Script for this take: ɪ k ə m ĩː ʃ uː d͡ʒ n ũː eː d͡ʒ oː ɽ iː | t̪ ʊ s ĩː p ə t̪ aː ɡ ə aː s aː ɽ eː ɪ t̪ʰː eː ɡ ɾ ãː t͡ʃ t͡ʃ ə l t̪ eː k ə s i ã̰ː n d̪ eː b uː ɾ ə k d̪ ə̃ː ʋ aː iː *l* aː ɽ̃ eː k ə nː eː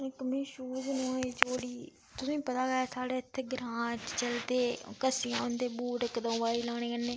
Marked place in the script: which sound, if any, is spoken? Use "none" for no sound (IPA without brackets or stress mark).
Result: l